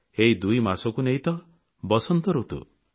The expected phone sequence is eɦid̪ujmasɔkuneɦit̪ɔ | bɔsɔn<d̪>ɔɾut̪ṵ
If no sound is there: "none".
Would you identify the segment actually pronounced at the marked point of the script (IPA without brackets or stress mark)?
t̪